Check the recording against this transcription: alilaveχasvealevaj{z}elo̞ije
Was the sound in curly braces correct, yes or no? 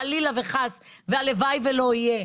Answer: no